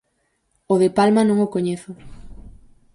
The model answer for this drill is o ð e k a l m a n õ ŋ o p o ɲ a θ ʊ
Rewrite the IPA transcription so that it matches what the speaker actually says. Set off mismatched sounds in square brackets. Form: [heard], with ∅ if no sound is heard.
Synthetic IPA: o ð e [p] a l m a n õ ŋ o [k] o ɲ [e] θ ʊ